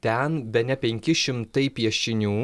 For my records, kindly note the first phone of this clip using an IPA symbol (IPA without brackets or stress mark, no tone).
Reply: t̪ʲ